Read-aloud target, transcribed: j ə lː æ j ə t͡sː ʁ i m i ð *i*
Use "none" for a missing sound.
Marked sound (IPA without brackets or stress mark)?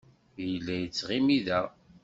æ